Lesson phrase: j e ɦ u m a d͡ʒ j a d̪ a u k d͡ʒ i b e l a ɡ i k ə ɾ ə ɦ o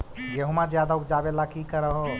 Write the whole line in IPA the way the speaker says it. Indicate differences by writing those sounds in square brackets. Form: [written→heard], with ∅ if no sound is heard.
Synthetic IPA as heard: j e ɦ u m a d͡ʒ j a d̪ a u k d͡ʒ [i→a] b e l a [ɡ→k] i k ə ɾ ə ɦ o